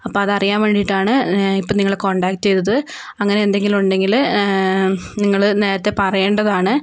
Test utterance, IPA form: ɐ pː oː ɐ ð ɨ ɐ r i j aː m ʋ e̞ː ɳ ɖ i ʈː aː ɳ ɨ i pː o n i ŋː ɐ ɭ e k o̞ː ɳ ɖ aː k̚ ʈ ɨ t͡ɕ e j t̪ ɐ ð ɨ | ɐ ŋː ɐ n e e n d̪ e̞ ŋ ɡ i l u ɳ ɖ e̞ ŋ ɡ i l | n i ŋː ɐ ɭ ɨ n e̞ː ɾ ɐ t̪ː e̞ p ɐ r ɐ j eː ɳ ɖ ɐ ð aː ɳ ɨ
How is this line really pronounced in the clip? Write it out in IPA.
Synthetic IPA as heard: ɐ pː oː ɐ ð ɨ ɐ r i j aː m ʋ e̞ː ɳ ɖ i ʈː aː ɳ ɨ i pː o n i ŋː ɐ ɭ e k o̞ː ɳ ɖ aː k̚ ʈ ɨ t͡ɕ e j t̪ ɐ ð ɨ | ɐ ŋː ɐ n e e n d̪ e̞ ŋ ɡ i l u ɳ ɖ e̞ ŋ ɡ i l | n i ŋː ɐ ɭ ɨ n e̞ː ɾ ɐ t̪ː e̞ p ɐ r ɐ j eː ɳ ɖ ɐ ð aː ɳ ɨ